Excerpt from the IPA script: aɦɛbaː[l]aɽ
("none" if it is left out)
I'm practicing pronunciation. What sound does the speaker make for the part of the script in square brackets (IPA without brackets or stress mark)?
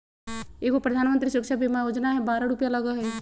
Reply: ɾ